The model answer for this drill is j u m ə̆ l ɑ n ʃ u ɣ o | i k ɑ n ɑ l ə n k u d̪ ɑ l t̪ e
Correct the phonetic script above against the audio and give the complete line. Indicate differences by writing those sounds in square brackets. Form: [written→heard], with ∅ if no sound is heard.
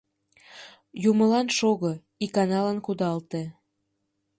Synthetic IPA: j u m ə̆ l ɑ n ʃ [u→o] ɣ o | i k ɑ n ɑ l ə n k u d̪ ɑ l t̪ e